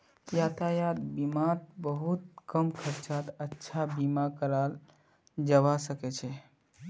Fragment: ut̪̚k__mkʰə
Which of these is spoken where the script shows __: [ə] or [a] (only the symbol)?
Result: ə